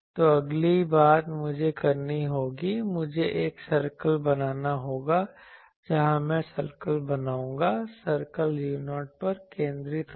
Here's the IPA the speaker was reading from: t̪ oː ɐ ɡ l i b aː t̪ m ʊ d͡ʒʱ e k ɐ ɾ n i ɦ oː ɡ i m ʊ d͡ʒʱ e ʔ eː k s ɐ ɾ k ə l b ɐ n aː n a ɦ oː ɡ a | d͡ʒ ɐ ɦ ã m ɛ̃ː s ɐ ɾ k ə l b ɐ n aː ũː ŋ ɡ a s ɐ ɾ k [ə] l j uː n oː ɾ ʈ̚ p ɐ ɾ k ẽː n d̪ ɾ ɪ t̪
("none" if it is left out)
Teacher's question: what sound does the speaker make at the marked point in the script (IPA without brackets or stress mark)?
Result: ə